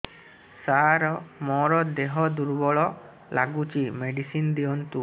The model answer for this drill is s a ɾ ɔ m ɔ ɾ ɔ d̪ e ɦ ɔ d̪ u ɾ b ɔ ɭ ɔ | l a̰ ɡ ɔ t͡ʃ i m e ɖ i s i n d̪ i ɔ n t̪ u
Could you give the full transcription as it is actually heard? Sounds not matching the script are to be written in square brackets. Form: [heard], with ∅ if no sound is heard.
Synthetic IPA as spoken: s a ɾ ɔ m ɔ ɾ ɔ d̪ e ɦ ɔ d̪ u ɾ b ɔ ɭ ɔ | l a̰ ɡ [u] t͡ʃ i m e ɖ i s i n d̪ i ɔ n t̪ u